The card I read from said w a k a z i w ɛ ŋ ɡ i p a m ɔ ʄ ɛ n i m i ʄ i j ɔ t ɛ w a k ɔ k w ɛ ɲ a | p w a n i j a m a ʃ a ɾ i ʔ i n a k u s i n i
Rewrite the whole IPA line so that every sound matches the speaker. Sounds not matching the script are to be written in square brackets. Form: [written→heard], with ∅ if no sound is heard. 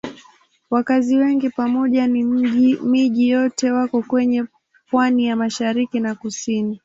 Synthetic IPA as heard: w a k a z i w ɛ ŋ ɡ i p a m ɔ ʄ [ɛ→a] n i m i ʄ i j ɔ t ɛ w a k ɔ k w ɛ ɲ [a→ɛ] | p w a n i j a m a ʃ a ɾ i [ʔ→k] i n a k u s i n i